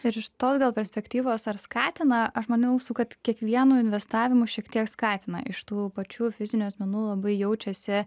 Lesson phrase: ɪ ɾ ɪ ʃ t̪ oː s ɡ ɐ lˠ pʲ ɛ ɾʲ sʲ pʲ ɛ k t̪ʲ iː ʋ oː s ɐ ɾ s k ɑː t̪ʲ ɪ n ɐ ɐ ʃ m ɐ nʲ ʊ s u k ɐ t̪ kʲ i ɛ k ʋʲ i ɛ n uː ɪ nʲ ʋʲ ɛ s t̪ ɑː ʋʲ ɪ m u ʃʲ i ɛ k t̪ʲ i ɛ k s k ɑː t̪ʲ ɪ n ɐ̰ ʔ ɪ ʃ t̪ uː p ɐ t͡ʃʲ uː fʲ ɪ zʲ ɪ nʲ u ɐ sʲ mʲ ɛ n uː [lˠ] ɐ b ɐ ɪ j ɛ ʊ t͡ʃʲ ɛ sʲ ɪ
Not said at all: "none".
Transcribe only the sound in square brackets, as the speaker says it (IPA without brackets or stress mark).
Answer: lˠ